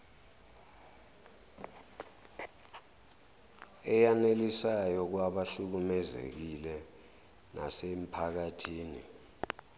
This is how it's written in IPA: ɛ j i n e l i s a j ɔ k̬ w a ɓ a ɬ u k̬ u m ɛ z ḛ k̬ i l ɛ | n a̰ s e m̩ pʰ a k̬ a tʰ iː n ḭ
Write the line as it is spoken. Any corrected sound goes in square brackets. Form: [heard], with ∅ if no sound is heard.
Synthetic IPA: ɛ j [a] n e l i s a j ɔ k̬ w a ɓ a ɬ u k̬ u m ɛ z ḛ k̬ i l ɛ | n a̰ s e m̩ pʰ a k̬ a tʰ iː n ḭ